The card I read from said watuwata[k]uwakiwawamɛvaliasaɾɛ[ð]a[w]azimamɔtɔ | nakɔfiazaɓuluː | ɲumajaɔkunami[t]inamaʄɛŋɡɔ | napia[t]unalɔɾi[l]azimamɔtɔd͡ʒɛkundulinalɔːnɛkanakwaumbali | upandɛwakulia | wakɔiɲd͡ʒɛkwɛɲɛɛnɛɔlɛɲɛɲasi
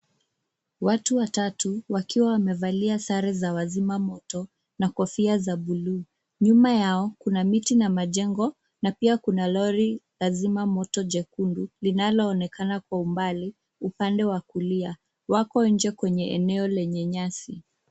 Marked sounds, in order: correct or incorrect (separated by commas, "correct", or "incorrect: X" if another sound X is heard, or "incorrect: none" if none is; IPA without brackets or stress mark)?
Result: incorrect: t, incorrect: z, correct, correct, incorrect: k, correct